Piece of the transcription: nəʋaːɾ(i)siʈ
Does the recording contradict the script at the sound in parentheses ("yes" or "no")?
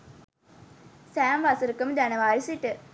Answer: no